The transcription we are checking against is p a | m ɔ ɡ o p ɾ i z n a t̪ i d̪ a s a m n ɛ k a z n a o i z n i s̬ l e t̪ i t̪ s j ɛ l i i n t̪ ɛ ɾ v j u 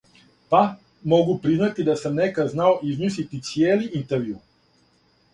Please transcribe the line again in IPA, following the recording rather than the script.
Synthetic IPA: p a | m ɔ ɡ u p ɾ i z n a t̪ i d̪ a s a m n ɛ k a z n a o i z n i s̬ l i t̪ i t̪ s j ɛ l i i n t̪ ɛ ɾ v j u